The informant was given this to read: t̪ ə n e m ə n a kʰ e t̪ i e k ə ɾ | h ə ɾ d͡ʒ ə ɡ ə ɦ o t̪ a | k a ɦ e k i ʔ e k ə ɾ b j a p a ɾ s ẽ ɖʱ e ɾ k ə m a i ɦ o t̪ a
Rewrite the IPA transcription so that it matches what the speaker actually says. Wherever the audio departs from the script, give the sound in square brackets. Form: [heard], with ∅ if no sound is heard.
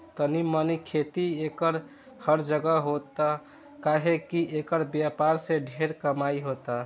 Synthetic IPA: t̪ ə n [i] m ə n [i] kʰ e t̪ i e k ə ɾ | h ə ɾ d͡ʒ ə ɡ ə ɦ o t̪ a | k a ɦ e k i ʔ e k ə ɾ b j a p a ɾ s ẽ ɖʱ e ɾ k ə m a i ɦ o t̪ a